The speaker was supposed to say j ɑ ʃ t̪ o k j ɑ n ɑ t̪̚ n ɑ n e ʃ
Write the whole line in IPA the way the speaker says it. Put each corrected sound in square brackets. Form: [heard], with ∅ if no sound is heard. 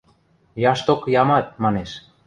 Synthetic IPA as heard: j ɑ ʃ t̪ o k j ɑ [m] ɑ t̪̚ [m] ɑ n e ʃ